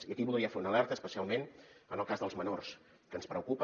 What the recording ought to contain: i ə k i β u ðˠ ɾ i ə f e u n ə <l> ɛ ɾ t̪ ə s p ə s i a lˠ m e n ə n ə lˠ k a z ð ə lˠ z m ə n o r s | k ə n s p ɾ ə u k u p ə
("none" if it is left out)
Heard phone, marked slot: l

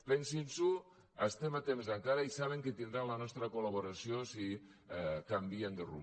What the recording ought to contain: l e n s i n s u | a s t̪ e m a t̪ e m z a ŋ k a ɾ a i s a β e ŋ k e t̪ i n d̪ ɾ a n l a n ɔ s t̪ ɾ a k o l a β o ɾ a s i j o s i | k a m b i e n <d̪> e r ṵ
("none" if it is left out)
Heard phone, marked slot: d̪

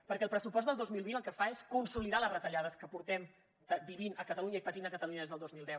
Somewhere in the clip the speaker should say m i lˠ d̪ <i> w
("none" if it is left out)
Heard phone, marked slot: ɛ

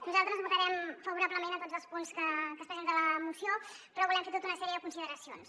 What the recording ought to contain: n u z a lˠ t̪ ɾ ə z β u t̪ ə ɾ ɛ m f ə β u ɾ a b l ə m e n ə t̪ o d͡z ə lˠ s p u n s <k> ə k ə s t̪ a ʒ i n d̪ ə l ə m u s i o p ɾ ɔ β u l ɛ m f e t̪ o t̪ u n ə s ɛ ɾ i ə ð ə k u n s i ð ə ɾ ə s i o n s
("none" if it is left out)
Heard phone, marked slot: k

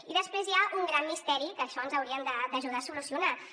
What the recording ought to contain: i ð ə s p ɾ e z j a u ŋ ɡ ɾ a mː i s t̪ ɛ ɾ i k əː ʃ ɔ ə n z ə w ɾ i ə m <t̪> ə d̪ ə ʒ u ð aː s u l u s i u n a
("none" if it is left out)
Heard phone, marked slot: d̪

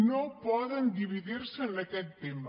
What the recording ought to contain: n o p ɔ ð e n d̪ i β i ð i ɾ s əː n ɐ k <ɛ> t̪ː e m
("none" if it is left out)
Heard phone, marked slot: ɛ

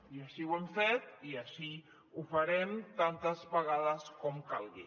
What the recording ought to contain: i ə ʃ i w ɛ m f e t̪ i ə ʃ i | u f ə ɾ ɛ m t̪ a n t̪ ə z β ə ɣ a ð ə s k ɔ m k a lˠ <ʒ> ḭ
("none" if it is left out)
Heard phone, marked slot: ɣ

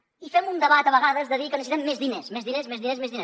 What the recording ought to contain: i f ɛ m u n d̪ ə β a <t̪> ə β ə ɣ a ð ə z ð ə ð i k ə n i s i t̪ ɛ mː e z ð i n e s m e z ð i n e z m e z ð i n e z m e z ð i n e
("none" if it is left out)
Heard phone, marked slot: t̪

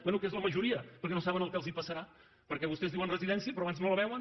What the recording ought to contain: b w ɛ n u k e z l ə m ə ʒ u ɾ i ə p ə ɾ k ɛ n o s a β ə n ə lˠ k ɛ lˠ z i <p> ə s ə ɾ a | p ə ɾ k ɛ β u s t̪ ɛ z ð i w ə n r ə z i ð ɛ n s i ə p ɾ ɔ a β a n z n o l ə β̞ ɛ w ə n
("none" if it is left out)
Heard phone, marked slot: p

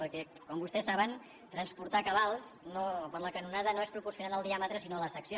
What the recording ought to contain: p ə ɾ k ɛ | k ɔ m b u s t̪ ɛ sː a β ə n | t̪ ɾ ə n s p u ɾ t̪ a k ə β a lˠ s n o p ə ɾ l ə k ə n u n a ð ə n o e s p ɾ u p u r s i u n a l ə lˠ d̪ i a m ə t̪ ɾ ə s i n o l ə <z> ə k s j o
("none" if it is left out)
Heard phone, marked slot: s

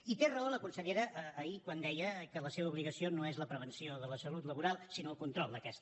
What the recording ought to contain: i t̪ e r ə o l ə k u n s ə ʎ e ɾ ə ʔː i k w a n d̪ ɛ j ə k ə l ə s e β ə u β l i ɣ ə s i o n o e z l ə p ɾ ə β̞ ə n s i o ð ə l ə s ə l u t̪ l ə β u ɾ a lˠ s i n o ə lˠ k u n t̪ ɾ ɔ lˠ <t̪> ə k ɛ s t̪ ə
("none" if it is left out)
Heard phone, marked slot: d̪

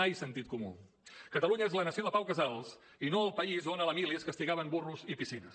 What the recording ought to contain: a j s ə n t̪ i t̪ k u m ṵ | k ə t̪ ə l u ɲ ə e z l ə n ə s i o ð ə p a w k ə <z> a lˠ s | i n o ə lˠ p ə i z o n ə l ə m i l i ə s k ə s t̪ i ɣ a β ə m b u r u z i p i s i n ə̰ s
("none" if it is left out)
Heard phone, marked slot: z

